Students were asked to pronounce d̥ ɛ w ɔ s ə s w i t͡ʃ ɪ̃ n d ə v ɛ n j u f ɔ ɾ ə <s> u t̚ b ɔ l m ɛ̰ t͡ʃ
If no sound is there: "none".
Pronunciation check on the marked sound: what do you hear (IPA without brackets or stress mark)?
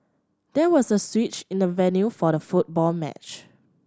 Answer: f